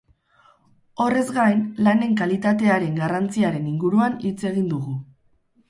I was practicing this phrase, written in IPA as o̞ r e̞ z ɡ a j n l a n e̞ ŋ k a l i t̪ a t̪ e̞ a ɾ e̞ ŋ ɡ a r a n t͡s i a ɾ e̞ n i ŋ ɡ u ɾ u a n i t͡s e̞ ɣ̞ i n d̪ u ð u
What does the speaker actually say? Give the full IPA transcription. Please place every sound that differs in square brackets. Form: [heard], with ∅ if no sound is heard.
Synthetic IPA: o̞ r e̞ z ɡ a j n l a n e̞ ŋ k a l i t̪ a t̪ e̞ a ɾ e̞ ŋ ɡ a r a n t͡s i a ɾ e̞ n i ŋ ɡ u ɾ u a n i t͡s e̞ ɣ̞ i n d̪ u [ɣ] u